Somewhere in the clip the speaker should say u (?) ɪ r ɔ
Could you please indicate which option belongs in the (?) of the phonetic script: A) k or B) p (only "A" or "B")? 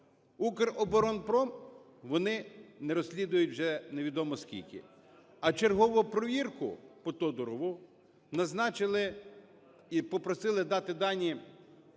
A